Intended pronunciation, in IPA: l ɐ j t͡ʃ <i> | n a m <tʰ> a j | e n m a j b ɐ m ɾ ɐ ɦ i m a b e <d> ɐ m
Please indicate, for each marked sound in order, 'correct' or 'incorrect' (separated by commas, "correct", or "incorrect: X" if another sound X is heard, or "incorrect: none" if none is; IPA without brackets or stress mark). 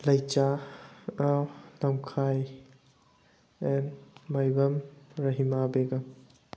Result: incorrect: a, incorrect: kʰ, incorrect: ɡ